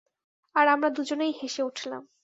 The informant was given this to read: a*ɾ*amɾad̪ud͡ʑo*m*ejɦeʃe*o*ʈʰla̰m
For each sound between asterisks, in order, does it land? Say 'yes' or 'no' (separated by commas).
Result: yes, no, no